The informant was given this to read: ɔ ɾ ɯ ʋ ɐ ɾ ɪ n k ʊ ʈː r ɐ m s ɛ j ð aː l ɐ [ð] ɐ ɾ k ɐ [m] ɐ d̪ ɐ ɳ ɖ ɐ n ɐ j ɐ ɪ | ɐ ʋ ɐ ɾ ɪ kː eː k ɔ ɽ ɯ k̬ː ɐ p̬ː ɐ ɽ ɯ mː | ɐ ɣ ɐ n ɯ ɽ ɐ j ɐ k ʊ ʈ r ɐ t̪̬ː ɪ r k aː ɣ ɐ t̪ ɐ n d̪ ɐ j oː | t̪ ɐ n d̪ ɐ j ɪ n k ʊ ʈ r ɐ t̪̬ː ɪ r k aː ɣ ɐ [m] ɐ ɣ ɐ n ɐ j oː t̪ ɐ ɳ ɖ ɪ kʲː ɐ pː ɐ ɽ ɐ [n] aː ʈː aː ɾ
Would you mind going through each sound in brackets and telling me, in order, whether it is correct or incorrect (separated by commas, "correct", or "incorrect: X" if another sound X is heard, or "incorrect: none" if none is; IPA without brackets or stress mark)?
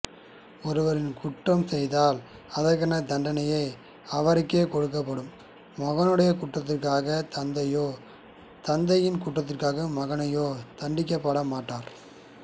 correct, incorrect: n, correct, incorrect: m